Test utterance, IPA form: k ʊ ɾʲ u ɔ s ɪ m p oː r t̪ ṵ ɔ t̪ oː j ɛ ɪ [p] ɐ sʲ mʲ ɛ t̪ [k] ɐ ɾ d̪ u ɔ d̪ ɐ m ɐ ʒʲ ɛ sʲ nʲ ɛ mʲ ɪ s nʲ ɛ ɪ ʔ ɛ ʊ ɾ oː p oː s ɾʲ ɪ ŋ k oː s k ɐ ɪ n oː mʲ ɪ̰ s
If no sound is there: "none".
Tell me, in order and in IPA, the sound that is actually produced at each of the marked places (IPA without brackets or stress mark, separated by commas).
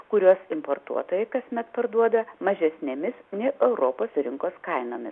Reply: k, p